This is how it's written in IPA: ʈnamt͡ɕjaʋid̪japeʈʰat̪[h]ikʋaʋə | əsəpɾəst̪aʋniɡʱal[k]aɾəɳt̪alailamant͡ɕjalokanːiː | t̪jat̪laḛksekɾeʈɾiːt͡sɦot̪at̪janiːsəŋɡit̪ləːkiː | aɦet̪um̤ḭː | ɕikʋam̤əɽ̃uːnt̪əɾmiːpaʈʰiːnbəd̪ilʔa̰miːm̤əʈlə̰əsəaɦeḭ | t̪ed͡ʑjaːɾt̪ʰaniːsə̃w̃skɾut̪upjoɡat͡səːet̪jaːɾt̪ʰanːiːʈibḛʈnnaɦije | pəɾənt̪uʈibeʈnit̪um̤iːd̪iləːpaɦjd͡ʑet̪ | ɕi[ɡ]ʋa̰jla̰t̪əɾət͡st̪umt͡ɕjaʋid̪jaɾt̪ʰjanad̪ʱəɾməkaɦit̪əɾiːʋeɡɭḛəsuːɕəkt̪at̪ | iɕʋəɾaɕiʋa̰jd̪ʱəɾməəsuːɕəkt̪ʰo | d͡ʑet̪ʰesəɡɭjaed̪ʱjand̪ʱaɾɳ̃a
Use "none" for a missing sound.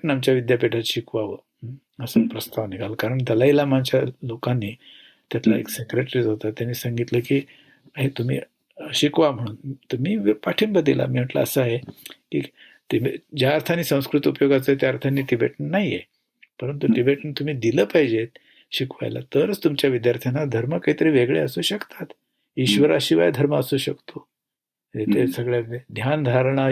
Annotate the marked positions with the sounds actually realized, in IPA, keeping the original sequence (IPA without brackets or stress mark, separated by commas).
ɕ, k, k